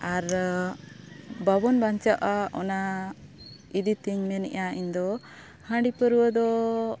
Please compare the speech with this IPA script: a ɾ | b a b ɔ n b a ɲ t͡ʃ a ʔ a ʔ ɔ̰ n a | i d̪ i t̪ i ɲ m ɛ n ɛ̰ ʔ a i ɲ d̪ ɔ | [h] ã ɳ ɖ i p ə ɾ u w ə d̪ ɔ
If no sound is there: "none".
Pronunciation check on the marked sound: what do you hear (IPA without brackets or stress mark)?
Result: h